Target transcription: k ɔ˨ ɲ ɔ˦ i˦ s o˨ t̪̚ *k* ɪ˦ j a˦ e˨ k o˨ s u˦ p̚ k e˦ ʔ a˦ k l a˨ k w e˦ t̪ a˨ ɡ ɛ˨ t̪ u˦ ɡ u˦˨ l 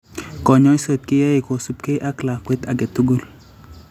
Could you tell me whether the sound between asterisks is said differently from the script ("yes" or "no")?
no